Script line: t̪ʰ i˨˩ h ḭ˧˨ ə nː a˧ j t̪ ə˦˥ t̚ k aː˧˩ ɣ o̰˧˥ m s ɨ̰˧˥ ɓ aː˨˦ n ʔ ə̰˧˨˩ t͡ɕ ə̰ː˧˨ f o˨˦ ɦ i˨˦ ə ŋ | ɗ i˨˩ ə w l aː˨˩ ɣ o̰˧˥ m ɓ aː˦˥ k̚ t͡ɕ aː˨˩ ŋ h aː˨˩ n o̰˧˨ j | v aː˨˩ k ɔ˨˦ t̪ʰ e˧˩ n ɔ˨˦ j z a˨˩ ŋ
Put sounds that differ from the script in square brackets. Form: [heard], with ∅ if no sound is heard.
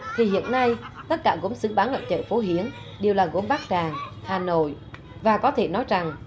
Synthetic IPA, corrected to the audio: t̪ʰ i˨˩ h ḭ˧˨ ə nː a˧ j t̪ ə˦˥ t̚ k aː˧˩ ɣ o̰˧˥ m s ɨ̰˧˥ ɓ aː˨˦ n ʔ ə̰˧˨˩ t͡ɕ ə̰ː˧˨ f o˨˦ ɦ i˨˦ ə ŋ | ɗ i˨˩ ə w l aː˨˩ ɣ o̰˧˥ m ɓ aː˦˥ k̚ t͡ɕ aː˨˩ ŋ h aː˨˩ n o̰˧˨ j | v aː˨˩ k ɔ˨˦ t̪ʰ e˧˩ n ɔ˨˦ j z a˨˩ ŋ